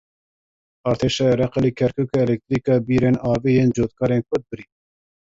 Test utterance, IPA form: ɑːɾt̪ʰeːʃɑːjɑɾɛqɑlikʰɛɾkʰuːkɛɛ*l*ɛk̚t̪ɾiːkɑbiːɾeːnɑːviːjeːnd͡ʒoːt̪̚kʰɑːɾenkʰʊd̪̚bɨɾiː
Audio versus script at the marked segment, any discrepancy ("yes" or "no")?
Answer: no